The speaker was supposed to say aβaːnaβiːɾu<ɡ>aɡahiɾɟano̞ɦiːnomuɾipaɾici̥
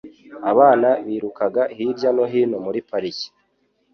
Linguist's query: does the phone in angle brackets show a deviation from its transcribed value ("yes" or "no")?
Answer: yes